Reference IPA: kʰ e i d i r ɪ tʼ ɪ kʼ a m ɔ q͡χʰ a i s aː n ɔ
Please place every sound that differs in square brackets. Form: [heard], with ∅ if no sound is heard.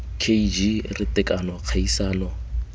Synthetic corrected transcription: kʰ e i [d͡ʒ] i r ɪ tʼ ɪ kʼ a [n] ɔ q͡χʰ a i s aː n ɔ